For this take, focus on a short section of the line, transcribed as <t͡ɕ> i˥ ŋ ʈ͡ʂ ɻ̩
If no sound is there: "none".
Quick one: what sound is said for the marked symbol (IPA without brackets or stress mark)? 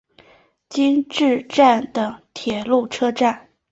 t͡ɕ